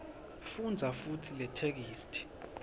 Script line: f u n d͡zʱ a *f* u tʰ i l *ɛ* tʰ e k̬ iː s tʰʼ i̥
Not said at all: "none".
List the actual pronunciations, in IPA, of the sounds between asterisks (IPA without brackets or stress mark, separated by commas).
f, ɛ